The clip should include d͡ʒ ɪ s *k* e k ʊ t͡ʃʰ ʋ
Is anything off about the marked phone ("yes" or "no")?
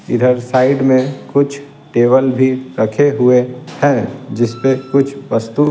yes